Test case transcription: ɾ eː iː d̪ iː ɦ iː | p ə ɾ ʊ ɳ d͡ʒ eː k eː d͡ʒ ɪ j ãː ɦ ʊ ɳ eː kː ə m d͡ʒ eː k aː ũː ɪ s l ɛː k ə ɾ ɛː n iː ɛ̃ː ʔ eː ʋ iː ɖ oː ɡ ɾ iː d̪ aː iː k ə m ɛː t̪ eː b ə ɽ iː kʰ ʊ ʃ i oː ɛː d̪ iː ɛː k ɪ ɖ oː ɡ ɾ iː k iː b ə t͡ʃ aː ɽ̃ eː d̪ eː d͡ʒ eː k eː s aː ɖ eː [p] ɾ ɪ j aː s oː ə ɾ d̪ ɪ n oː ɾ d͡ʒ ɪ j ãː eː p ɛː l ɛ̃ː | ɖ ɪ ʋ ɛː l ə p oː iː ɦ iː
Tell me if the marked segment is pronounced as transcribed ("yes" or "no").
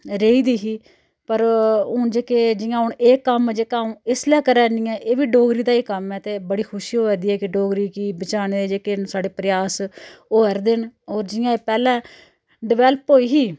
yes